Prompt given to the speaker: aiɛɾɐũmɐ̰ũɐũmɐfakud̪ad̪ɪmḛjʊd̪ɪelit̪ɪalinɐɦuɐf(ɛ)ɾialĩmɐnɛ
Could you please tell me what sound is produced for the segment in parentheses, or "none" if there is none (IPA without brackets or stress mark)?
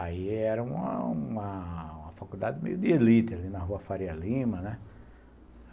a